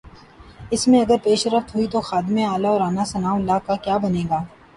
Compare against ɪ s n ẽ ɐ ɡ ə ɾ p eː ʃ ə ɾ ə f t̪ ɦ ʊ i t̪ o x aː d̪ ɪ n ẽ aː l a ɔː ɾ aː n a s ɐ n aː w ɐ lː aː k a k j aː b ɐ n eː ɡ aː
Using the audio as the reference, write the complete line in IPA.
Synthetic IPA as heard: ɪ s m ẽ ɐ ɡ ə ɾ p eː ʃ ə ɾ ə f t̪ ɦ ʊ i t̪ o x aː d̪ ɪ m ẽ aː l a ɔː ɾ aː n a s ɐ n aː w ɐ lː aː k a k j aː b ɐ n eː ɡ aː

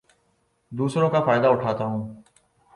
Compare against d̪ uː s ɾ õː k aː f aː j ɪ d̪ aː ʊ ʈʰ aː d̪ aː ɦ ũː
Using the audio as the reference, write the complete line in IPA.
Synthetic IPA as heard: d̪ uː s ɾ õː k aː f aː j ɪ d̪ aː ʊ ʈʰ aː t̪ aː ɦ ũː

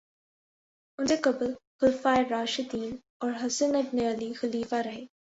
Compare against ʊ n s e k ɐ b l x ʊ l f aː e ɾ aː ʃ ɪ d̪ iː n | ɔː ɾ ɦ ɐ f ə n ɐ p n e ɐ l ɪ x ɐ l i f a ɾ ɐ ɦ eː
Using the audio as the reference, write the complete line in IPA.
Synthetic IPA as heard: ʊ n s e k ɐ b l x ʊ l f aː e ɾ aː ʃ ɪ d̪ iː n | ɔː ɾ ɦ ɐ s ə n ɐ b n e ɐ l i x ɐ l iː f a ɾ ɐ ɦ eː

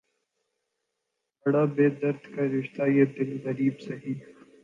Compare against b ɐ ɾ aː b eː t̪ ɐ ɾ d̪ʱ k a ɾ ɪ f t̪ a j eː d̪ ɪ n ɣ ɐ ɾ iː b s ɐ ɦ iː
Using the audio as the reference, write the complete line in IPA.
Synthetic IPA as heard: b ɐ ɽ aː b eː d̪ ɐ ɾ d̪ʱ k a ɾ ɪ ʃ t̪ a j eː d̪ ɪ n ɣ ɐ ɾ iː b s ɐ ɦ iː

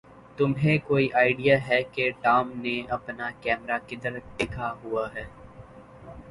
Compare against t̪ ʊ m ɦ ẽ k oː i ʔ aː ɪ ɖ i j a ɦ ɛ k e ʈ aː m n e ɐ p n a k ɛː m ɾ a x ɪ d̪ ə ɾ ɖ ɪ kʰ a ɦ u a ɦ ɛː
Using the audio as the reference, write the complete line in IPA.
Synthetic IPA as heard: t̪ ʊ m ɦ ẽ k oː i ʔ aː ɪ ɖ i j a ɦ ɛ k e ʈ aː m n e ɐ p n a k ɛː m ɾ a k ɪ d̪ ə ɾ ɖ ɪ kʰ a ɦ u a ɦ ɛː

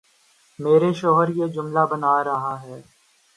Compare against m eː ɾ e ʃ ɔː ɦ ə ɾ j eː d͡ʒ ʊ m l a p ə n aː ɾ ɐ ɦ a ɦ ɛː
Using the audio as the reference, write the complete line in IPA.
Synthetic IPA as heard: m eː ɾ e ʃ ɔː ɦ ə ɾ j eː d͡ʒ ʊ m l a b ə n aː ɾ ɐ ɦ a ɦ ɛː

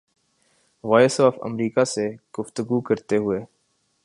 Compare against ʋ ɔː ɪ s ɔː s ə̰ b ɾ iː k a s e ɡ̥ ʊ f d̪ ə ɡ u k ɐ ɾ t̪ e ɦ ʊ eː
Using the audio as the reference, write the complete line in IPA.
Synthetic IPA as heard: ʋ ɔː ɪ s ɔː f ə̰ m ɾ iː k a s e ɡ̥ ʊ f t̪ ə ɡ u k ɐ ɾ t̪ e ɦ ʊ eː

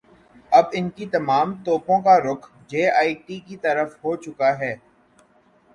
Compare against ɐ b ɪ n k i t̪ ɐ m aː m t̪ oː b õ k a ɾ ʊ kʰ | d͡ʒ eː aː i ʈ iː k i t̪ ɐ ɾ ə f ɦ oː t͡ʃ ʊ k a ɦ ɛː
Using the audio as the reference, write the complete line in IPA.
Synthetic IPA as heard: ɐ b ɪ n k i t̪ ɐ m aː m t̪ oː p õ k a ɾ ʊ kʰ | d͡ʒ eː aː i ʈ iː k i t̪ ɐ ɾ ə f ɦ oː t͡ʃ ʊ k a ɦ ɛː

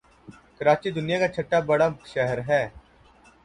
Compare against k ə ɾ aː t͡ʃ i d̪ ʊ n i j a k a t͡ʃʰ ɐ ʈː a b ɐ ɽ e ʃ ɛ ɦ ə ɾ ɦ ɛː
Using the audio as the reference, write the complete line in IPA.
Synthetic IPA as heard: k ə ɾ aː t͡ʃ i d̪ ʊ n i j a k a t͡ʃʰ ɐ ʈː a b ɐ ɽ a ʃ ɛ ɦ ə ɾ ɦ ɛː

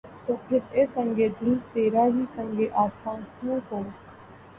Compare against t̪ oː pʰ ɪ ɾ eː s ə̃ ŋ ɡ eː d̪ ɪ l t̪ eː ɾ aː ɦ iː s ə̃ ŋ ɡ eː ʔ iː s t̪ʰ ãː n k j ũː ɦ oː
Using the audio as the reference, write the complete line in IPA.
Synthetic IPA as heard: t̪ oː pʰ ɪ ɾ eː s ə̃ ŋ ɡ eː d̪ ɪ l t̪ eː ɾ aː ɦ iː s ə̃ ŋ ɡ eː ʔ aː s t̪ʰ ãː n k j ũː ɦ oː

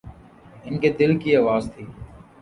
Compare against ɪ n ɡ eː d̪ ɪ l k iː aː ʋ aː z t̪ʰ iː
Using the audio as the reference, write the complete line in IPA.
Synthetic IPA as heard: ɪ n k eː d̪ ɪ l k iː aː ʋ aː z t̪ʰ iː

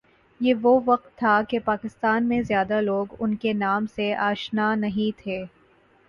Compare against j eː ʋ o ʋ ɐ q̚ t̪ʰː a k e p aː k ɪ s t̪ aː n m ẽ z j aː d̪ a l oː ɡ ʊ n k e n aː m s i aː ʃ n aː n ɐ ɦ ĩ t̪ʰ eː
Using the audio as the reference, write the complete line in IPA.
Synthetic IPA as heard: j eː ʋ o ʋ ɐ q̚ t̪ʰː a k e p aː k ɪ s t̪ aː n m ẽ z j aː d̪ a l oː ɡ ʊ n k e n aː m s e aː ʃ n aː n ɐ ɦ ĩ t̪ʰ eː

